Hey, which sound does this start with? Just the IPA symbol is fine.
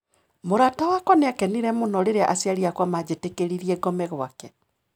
m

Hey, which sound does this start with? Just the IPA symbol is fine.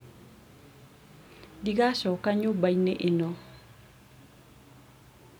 d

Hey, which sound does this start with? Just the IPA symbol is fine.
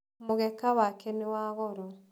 m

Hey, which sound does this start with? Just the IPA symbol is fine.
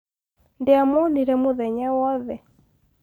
n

